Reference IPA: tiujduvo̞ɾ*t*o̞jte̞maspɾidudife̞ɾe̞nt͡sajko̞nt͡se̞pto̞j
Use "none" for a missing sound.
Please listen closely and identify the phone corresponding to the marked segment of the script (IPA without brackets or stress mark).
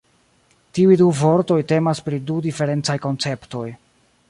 t